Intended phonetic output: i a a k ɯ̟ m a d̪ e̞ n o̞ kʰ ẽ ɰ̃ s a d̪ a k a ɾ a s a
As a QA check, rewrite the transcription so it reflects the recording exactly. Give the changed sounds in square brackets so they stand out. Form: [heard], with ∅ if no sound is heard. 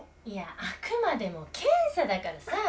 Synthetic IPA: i a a k ɯ̟ m a d̪ e̞ [m] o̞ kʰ ẽ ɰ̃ s a d̪ a k a ɾ a s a